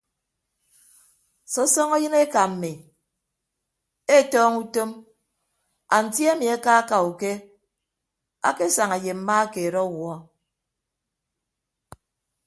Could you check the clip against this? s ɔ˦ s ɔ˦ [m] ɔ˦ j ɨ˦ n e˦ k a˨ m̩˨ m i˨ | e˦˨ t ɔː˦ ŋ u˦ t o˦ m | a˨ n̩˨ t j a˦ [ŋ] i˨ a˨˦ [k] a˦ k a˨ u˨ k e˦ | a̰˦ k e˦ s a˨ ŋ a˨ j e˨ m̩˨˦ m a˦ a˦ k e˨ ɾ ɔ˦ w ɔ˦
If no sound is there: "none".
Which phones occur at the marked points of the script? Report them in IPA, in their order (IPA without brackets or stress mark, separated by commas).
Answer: ŋ, m, k